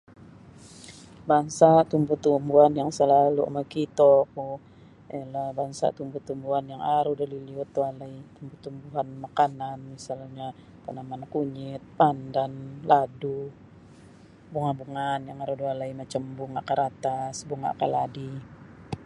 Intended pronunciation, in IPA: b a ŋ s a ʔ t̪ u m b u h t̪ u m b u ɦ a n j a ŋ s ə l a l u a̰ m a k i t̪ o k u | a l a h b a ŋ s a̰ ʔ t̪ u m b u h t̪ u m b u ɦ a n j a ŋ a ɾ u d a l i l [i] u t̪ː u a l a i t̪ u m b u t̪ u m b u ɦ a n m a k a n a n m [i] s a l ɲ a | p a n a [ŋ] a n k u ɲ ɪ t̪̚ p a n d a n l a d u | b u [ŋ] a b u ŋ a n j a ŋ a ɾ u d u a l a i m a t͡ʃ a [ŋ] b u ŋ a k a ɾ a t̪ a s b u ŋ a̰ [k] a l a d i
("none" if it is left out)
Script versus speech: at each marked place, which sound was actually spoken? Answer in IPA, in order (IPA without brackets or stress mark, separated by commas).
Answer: i, i, m, ŋ, m, k